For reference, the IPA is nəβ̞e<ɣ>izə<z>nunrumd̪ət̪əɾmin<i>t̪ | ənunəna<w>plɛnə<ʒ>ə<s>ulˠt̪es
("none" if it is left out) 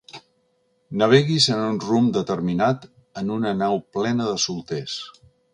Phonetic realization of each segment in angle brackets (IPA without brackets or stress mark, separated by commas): ɣ, none, a, w, ð, s